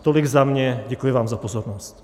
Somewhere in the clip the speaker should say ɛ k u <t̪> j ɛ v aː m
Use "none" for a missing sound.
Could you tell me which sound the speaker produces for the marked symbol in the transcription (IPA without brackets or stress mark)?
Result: none